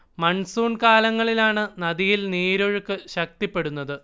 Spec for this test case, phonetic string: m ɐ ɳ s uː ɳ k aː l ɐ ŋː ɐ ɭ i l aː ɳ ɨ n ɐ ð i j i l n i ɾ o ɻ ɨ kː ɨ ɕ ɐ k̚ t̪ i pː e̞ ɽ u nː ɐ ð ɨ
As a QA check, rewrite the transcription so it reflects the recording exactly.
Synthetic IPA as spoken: m ɐ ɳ s uː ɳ k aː l ɐ ŋː ɐ ɭ i l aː ɳ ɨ n ɐ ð i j i l n iː ɾ o ɻ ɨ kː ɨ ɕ ɐ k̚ t̪ i pː e̞ ɽ u nː ɐ ð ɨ